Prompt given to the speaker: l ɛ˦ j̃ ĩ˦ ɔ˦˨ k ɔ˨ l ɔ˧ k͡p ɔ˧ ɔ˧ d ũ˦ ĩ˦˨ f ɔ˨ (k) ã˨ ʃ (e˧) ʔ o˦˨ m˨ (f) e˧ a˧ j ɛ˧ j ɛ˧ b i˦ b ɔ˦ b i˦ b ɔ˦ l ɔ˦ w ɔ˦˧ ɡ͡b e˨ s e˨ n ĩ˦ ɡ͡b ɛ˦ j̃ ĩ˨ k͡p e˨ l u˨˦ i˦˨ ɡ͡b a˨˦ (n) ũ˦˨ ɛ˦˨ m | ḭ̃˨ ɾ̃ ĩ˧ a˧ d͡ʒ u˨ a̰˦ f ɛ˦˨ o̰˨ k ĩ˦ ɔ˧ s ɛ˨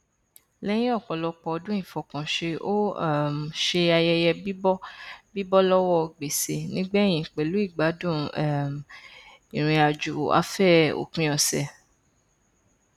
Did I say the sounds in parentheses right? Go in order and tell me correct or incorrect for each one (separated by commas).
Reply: correct, correct, incorrect, incorrect